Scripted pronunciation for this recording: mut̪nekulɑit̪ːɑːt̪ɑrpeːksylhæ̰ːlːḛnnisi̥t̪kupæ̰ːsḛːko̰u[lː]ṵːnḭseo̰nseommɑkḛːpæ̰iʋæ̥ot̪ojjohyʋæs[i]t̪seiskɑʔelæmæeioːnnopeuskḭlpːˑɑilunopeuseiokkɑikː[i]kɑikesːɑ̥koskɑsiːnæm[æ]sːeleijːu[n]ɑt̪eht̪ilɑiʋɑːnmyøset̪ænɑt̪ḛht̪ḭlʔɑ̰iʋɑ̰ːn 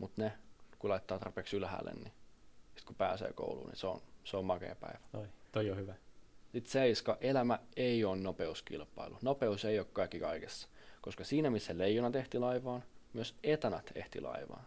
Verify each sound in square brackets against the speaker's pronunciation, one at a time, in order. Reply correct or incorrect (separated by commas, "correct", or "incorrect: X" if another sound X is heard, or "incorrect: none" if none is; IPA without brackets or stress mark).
incorrect: l, correct, correct, incorrect: i, correct